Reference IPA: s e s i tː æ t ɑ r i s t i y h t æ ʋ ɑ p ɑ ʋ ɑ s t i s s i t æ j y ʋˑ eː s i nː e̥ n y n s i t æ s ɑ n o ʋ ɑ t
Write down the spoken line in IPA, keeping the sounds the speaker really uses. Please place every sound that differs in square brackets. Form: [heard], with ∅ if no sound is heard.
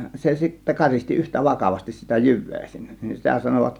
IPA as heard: s e s i tː æ [k] ɑ r i s t i y h t æ ʋ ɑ [k] ɑ ʋ ɑ s t i s s i t æ j y ʋˑ eː s i nː e̥ n [i] n s i t æ s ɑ n o ʋ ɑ t